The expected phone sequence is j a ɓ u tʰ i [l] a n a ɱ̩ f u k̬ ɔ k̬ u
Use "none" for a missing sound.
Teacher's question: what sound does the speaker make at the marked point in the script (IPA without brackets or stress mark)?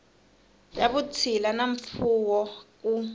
l